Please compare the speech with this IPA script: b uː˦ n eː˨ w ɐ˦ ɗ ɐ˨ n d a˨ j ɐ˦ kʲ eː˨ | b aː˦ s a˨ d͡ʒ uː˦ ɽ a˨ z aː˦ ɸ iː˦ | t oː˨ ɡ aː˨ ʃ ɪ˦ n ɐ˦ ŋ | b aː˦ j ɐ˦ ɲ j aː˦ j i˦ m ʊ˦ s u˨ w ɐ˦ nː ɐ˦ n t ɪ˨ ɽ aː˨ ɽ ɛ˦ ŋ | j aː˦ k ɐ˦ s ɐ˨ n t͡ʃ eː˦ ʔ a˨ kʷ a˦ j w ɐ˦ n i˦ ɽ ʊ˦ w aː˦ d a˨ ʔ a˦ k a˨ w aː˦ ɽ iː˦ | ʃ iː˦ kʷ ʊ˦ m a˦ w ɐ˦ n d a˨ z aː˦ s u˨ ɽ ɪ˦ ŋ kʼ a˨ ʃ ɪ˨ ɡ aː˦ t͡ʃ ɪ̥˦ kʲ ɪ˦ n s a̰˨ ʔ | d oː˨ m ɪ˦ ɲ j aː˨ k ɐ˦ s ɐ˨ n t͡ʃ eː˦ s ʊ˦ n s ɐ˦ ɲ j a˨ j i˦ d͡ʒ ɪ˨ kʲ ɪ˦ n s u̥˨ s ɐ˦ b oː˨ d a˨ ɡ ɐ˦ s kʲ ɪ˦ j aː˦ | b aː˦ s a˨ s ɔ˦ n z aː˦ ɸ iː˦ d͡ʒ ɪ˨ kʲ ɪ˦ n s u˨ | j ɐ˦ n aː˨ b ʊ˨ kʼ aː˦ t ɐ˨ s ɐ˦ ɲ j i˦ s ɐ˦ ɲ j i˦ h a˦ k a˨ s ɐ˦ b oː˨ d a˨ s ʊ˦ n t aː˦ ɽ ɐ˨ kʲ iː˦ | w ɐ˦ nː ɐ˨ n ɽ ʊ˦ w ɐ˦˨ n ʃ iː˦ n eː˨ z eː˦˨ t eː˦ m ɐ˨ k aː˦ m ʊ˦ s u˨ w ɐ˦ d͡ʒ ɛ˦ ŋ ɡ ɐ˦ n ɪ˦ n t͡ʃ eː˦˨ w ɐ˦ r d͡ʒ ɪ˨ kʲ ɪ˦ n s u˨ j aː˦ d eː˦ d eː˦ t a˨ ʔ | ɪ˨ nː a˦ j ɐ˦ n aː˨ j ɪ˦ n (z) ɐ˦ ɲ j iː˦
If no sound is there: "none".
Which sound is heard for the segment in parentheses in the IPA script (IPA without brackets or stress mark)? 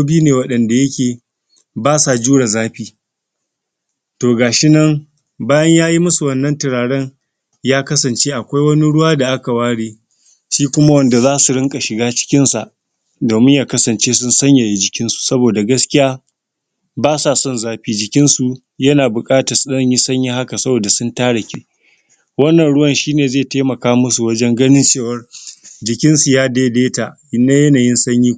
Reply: s